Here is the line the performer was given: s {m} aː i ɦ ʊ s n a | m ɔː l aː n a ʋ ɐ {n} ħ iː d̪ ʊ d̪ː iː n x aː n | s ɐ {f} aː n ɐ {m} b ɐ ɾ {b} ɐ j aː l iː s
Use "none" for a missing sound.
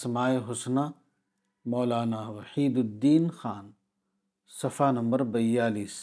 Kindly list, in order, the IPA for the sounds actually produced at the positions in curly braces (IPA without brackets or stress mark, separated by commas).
m, none, f, m, b